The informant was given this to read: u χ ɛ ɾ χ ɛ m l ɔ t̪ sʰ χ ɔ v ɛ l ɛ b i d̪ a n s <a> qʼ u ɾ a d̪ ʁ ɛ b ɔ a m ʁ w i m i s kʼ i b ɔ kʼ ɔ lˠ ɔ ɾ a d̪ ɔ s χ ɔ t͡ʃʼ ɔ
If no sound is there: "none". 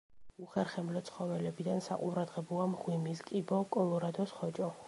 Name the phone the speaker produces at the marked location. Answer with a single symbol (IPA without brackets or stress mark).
a